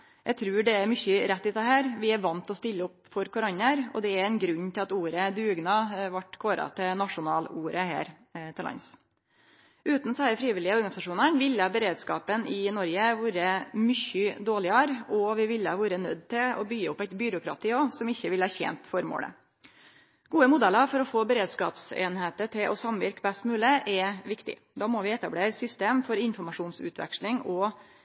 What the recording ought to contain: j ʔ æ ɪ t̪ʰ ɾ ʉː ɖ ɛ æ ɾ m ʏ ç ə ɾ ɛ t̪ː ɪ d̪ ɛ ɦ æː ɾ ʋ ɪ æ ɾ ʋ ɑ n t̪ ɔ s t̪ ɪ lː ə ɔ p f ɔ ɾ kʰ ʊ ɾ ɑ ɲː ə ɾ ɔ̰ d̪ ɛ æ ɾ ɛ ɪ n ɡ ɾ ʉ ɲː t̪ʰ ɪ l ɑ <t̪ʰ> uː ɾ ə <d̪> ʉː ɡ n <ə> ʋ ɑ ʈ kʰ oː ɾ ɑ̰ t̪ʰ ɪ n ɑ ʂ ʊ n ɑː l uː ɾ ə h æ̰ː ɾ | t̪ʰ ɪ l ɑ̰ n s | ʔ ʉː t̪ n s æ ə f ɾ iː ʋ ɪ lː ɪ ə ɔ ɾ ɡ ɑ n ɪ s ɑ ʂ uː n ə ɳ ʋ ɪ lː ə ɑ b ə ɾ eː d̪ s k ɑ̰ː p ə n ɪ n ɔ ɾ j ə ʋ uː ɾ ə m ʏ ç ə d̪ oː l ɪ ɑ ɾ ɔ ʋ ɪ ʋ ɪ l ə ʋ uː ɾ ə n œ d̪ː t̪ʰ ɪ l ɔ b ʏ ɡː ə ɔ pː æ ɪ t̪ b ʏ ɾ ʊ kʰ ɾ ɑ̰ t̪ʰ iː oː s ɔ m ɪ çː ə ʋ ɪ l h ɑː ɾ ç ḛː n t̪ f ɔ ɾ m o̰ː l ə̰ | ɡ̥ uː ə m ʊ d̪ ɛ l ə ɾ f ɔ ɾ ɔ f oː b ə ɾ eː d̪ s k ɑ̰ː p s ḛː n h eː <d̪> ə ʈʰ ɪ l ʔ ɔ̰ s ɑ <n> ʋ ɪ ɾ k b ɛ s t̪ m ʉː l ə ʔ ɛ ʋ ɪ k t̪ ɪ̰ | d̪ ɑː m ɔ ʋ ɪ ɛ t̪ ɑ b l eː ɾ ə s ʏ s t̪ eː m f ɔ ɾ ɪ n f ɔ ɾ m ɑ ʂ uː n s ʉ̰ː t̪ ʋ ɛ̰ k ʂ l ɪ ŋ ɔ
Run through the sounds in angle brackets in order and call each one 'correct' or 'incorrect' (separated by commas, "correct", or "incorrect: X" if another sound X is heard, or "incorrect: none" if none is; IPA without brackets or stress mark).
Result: incorrect: t̪, correct, incorrect: ɑ, incorrect: t̪, incorrect: m